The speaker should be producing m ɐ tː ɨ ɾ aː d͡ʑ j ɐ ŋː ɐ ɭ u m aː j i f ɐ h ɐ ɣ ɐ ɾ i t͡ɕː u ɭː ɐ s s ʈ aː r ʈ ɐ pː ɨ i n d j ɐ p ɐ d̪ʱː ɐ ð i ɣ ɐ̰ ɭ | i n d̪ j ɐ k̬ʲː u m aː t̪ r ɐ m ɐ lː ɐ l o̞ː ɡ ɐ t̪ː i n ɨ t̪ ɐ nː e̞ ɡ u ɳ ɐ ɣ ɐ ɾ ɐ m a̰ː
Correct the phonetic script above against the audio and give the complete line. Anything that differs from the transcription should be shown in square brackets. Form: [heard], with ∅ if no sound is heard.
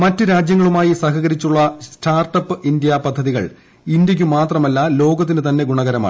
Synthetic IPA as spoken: m ɐ tː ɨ ɾ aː d͡ʑ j ɐ ŋː ɐ ɭ u m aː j i [s] ɐ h ɐ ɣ ɐ ɾ i t͡ɕː u ɭː ɐ s s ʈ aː r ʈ ɐ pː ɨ i n d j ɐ p ɐ d̪ʱː ɐ ð i ɣ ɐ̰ ɭ | i n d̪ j ɐ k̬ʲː u m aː t̪ r ɐ m ɐ lː ɐ l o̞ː ɡ ɐ t̪ː i n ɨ t̪ ɐ nː e̞ ɡ u ɳ ɐ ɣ ɐ ɾ ɐ m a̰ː